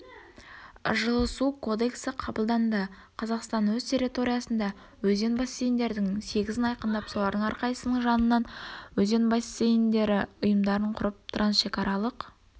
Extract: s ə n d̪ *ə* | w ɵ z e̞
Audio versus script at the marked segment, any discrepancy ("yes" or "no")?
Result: yes